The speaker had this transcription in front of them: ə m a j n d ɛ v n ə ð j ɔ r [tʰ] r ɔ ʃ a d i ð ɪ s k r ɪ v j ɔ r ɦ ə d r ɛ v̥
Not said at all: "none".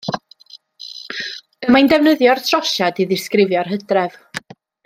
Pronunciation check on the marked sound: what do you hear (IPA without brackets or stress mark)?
tʰ